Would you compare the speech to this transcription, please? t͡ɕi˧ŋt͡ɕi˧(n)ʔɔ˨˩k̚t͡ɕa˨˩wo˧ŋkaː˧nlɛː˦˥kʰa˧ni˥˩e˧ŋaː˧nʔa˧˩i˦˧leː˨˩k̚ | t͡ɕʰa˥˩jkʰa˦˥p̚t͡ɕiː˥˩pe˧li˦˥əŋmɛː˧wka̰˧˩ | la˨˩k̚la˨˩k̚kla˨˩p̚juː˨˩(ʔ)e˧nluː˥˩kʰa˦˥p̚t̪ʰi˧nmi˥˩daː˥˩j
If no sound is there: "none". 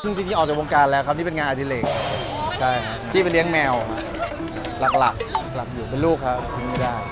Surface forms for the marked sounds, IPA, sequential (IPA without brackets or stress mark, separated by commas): ŋ, p